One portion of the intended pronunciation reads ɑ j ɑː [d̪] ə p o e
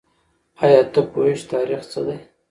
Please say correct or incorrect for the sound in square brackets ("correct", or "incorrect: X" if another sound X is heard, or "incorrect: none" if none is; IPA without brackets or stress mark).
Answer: incorrect: t̪